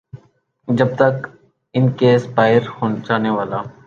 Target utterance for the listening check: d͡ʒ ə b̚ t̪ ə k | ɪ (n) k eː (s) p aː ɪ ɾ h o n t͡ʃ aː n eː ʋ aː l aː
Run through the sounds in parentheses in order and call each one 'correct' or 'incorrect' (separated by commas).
correct, correct